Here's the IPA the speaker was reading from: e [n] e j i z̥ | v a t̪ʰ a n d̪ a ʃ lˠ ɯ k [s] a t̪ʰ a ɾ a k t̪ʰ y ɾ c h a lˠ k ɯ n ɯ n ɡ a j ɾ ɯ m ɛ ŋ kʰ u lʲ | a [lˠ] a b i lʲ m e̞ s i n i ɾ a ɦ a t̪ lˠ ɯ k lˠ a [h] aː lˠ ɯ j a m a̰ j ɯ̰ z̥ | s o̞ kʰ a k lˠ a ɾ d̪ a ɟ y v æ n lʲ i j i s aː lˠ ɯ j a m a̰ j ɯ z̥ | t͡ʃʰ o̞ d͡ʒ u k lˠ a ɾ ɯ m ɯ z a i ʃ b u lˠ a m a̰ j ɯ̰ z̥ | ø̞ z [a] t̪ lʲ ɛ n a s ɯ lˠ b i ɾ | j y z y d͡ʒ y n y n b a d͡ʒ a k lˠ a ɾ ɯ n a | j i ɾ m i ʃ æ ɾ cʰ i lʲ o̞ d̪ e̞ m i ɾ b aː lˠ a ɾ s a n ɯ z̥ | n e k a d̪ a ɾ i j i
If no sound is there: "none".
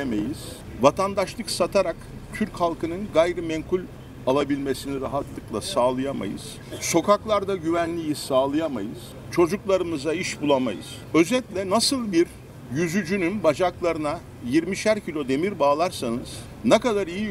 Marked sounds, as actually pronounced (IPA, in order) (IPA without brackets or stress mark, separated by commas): m, s, lˠ, s, ɛ